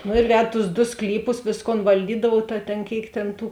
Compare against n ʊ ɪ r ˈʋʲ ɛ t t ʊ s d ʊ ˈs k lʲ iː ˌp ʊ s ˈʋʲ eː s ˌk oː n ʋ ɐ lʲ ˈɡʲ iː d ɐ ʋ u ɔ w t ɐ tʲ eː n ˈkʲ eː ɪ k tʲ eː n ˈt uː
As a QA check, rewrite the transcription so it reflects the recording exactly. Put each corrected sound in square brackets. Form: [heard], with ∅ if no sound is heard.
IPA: n ʊ ɪ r ˈʋʲ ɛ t t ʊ s d ʊ ˈs k lʲ iː ˌp ʊ s ˈʋʲ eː s ˌk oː n ʋ ɐ lʲ [ˈdʲ] iː d ɐ ʋ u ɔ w t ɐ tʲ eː n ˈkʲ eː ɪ k tʲ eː n ˈt uː